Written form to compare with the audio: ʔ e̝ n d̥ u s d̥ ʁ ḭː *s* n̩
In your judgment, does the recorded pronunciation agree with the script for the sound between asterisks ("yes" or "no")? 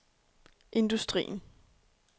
no